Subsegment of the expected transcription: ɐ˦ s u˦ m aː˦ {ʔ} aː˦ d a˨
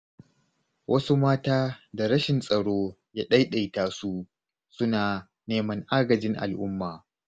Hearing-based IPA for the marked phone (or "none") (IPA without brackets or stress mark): t